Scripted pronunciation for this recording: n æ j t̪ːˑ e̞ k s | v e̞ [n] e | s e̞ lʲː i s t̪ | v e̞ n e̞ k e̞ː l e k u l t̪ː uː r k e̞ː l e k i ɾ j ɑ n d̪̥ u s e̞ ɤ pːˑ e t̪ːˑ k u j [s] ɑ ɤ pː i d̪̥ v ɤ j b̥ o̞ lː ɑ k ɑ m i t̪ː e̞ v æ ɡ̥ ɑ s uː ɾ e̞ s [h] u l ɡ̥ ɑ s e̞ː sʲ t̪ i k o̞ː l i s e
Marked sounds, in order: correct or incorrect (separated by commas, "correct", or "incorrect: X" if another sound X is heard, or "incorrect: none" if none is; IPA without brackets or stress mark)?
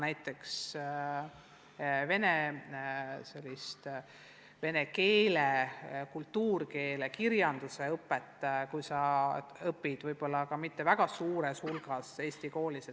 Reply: correct, correct, correct